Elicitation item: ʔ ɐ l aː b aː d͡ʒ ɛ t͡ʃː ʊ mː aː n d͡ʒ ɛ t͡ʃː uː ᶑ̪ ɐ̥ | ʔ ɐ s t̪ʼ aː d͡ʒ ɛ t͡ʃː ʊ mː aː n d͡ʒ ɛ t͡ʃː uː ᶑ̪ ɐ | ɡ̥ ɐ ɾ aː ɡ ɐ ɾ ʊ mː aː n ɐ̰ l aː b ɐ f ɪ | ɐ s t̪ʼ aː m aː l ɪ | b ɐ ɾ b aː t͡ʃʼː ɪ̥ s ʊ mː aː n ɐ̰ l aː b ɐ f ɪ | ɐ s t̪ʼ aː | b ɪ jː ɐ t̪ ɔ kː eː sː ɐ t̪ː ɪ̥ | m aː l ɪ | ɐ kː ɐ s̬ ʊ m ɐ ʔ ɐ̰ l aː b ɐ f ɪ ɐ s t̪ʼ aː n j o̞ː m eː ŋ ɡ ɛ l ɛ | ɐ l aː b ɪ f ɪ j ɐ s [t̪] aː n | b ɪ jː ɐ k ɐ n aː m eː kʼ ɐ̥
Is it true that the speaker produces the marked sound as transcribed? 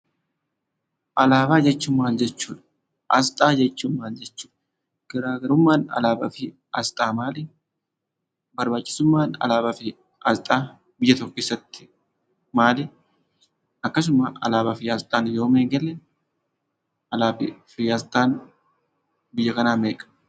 no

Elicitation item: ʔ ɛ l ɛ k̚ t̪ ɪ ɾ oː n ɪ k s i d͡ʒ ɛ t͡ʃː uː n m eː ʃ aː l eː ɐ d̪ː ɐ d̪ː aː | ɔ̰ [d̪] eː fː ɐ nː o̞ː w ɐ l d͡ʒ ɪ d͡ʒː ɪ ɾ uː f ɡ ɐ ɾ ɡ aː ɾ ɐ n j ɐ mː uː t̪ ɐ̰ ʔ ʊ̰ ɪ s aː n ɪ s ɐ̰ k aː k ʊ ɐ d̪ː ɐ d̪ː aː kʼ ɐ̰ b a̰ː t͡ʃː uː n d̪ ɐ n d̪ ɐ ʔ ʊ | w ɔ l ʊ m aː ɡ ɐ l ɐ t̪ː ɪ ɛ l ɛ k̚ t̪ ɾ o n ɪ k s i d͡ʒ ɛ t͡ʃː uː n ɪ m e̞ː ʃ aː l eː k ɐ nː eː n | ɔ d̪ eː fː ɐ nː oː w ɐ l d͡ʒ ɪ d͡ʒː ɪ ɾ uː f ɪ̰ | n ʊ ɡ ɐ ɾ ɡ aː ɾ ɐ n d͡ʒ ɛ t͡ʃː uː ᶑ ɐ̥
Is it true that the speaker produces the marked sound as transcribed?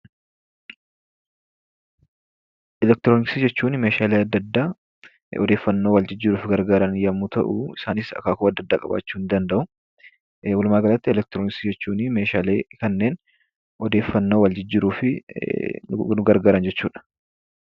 yes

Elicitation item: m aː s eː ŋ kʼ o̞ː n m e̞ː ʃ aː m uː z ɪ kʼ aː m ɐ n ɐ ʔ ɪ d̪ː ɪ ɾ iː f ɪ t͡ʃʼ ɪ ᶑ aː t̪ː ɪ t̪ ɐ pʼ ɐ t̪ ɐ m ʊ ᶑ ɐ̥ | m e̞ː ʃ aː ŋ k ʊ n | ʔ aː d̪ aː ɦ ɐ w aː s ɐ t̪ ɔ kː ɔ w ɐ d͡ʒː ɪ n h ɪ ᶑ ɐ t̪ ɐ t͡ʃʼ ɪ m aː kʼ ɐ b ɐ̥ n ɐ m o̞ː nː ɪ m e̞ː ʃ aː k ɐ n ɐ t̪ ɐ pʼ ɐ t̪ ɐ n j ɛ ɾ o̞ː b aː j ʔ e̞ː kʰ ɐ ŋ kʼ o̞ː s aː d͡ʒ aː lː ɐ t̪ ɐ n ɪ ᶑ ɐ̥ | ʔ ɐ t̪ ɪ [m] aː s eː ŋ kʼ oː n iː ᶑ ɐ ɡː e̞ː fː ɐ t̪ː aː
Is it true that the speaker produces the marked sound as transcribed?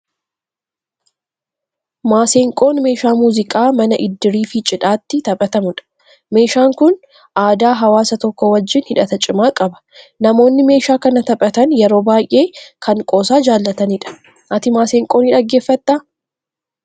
yes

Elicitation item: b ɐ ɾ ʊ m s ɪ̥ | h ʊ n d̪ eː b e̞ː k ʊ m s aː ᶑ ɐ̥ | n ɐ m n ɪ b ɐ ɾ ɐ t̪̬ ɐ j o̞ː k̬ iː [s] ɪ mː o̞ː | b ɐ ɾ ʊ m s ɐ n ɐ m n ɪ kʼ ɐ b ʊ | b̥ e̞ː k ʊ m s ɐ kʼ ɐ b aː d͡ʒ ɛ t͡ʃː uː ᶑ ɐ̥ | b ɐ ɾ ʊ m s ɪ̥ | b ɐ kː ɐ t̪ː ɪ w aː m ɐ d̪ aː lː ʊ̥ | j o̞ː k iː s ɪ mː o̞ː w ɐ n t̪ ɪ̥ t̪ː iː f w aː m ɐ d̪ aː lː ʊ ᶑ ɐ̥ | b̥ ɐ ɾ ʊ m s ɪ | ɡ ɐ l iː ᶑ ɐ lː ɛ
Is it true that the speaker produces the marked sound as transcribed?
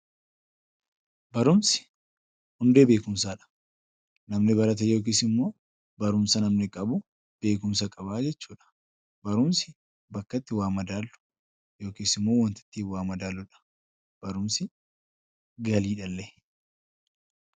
yes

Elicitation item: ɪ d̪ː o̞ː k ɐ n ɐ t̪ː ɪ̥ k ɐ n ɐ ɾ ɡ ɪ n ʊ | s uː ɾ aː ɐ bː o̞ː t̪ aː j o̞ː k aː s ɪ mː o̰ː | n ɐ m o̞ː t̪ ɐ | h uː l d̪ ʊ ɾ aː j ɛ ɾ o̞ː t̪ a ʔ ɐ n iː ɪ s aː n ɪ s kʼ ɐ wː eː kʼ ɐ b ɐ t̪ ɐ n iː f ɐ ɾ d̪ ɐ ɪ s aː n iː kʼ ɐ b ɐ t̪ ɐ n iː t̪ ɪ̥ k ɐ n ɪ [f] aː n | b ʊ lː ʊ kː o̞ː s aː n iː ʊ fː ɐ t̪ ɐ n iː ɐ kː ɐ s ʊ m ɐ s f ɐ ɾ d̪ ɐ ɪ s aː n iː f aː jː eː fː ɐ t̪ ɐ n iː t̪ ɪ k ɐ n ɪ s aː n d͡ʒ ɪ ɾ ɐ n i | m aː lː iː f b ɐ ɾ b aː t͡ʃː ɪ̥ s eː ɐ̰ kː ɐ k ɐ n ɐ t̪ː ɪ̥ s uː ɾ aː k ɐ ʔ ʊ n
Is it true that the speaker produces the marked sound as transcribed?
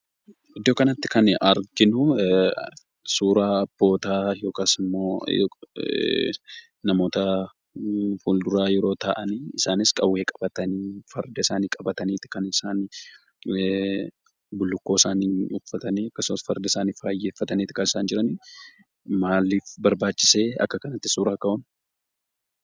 no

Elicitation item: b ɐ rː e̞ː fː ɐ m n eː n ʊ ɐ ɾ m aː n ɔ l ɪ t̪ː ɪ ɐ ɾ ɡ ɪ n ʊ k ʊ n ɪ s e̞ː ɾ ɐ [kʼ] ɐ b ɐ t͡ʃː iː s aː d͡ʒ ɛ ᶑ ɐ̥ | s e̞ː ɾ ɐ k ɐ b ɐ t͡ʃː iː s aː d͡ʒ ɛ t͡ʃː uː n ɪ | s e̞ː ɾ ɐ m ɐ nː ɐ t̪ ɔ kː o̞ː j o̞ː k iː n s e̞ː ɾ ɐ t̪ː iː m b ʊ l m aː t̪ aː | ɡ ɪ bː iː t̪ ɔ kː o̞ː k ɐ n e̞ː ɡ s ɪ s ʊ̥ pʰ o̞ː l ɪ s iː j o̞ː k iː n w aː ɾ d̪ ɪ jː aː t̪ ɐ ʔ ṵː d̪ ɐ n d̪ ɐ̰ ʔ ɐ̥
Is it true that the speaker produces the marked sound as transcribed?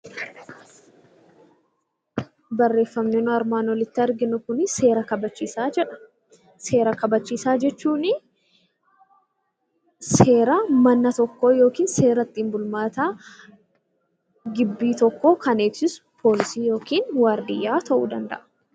no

